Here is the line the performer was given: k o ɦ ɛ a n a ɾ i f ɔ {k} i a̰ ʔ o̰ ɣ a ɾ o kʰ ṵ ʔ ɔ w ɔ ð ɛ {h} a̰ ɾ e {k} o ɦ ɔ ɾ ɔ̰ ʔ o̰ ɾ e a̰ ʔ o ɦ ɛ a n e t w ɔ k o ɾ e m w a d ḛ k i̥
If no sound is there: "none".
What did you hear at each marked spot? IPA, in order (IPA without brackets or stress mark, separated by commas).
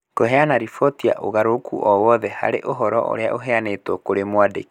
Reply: t, h, ʔ